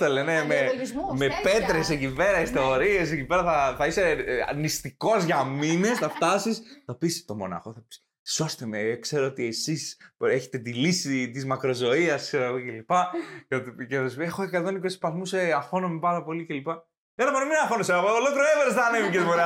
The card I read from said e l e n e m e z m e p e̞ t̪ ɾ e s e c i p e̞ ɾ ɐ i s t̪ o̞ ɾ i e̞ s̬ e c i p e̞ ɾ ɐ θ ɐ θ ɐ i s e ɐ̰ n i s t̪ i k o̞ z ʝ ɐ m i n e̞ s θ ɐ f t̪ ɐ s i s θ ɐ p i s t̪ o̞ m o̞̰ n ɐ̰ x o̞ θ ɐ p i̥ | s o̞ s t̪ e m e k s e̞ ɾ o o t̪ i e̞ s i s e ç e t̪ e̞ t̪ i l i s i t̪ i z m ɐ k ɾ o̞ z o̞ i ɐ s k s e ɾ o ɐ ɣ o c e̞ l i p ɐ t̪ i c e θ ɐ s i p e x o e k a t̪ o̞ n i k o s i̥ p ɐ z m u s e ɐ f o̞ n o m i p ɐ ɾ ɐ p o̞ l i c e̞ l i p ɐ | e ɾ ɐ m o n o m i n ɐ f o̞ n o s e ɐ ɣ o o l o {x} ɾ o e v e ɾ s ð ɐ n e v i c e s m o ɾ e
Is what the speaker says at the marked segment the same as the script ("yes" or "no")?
no